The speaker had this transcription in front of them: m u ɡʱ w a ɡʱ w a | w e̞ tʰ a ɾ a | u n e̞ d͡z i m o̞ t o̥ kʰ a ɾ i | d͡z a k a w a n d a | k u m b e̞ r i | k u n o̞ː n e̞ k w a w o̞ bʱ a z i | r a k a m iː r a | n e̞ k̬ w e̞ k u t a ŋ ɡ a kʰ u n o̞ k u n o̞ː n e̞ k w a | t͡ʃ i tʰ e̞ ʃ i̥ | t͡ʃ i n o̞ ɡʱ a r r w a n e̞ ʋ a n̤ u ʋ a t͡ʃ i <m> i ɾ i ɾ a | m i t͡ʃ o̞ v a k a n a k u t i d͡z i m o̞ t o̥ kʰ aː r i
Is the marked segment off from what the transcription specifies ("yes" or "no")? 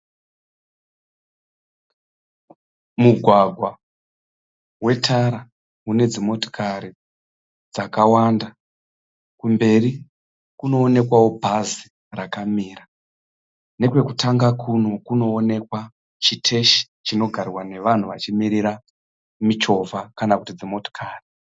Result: no